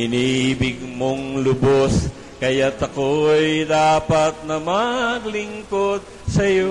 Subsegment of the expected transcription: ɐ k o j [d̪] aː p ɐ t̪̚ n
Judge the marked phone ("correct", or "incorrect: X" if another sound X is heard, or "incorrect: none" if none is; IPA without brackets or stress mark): correct